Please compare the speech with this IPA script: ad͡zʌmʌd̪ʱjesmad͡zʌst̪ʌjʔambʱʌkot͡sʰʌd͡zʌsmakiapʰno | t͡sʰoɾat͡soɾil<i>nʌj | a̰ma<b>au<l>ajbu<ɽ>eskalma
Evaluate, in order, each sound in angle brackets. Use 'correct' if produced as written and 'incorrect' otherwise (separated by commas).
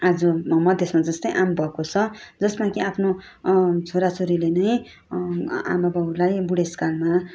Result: incorrect, correct, correct, correct